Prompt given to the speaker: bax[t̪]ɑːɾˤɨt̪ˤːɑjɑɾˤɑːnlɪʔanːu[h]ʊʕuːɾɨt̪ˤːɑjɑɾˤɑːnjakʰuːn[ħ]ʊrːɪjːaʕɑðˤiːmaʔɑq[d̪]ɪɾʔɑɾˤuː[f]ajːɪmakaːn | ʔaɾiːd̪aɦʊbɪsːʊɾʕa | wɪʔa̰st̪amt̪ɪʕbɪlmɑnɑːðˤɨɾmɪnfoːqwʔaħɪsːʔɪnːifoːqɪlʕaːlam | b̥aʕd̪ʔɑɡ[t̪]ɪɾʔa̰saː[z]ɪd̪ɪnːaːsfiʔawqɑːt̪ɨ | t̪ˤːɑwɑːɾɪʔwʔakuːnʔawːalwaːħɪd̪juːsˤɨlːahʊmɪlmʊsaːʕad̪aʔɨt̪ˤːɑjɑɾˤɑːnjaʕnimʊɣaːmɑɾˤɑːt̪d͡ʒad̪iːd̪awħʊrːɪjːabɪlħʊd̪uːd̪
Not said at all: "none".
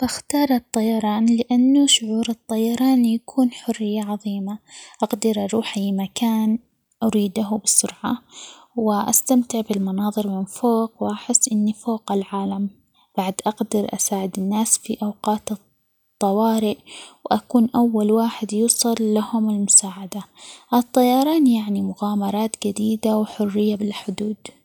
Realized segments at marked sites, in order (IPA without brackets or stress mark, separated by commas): t̪, ʃ, ħ, d̪, ħ, d̪, ʕ